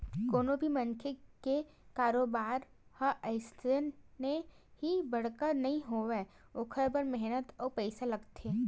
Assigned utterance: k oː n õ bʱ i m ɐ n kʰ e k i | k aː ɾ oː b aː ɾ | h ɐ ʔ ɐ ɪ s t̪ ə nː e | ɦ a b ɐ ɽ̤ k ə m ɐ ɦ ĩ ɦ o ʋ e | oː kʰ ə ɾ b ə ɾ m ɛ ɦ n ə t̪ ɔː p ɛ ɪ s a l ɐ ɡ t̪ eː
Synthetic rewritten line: k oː n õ bʱ i m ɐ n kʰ e k e | k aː ɾ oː b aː ɾ | h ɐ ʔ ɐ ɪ s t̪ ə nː e | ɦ i b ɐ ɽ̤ k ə n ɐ ɦ ĩ ɦ o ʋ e | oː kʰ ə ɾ b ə ɾ m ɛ ɦ n ə t̪ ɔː p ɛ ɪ s a l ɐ ɡ t̪ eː